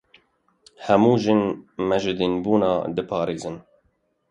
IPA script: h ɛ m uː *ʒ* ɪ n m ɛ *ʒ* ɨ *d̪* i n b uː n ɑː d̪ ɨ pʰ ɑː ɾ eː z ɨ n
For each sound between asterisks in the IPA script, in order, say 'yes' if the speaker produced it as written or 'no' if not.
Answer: yes, yes, yes

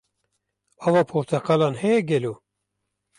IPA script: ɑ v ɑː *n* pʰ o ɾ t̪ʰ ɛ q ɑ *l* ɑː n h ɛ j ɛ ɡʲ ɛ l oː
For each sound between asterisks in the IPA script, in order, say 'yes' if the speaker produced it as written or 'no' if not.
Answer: no, yes

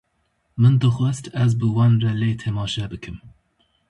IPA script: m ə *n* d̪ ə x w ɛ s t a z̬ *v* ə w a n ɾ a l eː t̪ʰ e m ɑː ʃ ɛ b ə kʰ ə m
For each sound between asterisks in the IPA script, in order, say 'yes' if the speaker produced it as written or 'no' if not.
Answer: yes, no

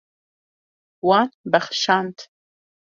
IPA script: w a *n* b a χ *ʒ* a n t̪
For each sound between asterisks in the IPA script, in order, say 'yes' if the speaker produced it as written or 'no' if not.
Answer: yes, no

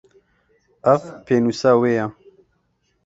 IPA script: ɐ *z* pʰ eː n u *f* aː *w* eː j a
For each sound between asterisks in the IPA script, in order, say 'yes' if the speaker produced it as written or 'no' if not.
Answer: no, no, yes

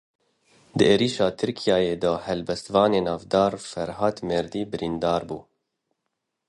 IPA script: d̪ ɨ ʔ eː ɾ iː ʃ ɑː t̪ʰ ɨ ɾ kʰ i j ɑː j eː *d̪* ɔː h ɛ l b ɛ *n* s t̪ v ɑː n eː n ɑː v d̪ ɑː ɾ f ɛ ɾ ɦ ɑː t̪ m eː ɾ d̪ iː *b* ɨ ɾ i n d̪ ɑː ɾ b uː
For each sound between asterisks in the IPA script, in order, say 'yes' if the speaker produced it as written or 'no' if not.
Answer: yes, no, yes

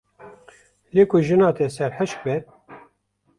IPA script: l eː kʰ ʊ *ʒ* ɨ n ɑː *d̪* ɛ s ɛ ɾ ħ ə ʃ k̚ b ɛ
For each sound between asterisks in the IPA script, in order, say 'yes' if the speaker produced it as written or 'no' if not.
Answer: yes, no

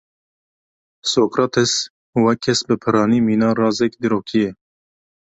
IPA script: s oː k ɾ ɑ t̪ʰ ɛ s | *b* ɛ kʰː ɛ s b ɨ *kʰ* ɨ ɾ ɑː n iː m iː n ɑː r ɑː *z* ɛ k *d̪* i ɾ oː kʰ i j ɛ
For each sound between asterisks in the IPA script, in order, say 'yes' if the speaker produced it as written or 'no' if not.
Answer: no, no, yes, yes

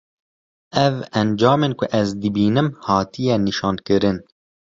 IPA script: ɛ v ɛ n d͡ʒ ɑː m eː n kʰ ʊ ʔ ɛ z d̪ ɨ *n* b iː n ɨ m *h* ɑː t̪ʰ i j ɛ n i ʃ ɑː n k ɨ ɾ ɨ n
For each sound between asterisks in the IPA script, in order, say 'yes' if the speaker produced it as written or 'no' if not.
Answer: no, yes

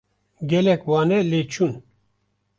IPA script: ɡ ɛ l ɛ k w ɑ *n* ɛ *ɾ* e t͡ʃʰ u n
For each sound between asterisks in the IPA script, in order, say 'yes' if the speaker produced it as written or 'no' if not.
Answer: yes, no

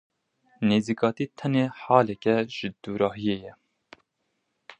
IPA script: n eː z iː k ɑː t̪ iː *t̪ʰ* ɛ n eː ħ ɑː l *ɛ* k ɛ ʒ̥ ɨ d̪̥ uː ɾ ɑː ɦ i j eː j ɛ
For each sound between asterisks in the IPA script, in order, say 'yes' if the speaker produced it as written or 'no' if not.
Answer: yes, yes

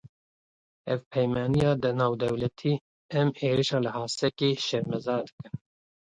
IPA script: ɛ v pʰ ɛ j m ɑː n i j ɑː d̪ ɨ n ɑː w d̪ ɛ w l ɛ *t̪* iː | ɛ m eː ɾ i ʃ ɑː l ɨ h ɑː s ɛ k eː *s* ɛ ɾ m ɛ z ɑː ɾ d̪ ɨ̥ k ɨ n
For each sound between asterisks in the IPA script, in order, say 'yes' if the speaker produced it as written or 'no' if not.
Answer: no, no

